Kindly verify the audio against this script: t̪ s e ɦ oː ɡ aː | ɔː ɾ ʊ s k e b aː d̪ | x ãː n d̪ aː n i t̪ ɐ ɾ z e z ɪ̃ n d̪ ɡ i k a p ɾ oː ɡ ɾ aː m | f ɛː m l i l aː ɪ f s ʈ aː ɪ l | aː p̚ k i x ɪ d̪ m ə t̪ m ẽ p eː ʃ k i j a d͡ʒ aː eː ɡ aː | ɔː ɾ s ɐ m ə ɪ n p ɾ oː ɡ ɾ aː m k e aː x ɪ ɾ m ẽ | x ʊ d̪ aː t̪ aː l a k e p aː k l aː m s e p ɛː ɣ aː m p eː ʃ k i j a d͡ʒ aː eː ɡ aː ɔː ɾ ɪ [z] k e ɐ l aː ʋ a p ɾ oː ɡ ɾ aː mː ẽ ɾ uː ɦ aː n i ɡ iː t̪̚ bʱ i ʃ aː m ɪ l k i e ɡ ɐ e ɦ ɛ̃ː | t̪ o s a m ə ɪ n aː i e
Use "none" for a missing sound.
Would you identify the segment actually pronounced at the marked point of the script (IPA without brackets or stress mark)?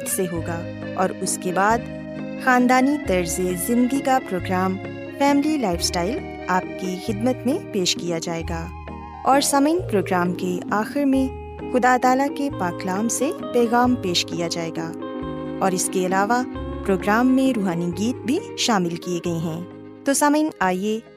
s